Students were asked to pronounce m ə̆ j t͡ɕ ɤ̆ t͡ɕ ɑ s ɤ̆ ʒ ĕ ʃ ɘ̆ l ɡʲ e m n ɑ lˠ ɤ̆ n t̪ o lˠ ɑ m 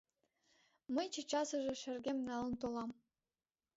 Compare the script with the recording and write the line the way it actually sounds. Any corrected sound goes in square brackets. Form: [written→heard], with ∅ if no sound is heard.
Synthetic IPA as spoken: m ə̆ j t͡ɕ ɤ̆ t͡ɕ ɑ s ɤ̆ ʒ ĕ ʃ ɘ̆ [l→r] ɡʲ e m n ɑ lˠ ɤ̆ n t̪ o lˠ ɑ m